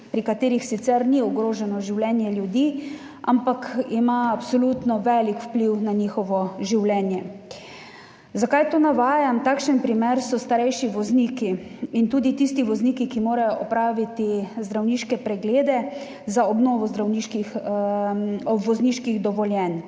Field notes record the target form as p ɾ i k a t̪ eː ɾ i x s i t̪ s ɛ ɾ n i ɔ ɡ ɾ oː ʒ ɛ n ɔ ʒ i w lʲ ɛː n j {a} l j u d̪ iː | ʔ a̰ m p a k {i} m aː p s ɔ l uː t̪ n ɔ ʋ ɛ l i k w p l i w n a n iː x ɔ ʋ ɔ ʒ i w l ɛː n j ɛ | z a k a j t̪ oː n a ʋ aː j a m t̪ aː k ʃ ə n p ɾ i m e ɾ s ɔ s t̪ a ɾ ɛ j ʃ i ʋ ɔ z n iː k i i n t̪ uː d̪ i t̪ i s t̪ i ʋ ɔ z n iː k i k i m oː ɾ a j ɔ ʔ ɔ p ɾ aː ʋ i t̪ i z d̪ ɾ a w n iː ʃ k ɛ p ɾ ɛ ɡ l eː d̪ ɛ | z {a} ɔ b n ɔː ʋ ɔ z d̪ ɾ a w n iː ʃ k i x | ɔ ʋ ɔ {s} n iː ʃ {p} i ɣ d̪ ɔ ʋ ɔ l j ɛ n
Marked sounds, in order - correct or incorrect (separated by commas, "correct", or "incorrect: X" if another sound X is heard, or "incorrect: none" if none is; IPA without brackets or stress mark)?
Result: incorrect: ɛ, correct, correct, incorrect: z, incorrect: k